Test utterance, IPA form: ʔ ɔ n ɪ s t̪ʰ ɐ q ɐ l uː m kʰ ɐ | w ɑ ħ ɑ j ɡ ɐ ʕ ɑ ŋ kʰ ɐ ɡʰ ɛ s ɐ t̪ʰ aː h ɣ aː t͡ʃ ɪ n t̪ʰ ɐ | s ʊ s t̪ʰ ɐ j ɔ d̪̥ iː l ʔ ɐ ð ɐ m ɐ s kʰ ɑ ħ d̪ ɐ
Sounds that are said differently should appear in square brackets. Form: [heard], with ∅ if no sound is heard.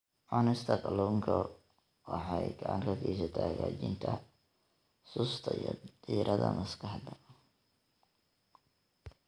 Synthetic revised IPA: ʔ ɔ n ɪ s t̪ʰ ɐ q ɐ l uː [ŋ] kʰ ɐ | w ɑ ħ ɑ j ɡ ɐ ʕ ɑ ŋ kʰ ɐ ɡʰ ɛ s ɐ t̪ʰ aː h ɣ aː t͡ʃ ɪ n t̪ʰ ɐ | s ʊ s t̪ʰ ɐ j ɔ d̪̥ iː [ɾ] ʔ ɐ ð ɐ m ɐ s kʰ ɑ ħ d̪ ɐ